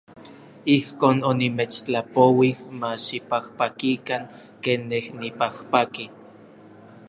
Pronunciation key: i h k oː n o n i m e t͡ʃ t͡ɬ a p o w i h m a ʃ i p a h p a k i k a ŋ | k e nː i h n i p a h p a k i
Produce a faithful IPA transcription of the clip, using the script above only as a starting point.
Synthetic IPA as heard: i h k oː n o n i m e t͡ʃ t͡ɬ a p o w i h m a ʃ i p a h p a k i k a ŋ | k e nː e h n i p a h p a k i